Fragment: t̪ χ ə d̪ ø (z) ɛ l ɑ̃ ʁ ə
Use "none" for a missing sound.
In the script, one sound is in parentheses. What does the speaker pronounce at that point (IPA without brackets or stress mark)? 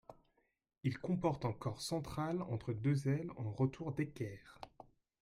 z